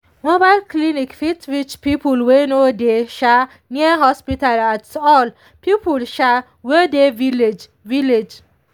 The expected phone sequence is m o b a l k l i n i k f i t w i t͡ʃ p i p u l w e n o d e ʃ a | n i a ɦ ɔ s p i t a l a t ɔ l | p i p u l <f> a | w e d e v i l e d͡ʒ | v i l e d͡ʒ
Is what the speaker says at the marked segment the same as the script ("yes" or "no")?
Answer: no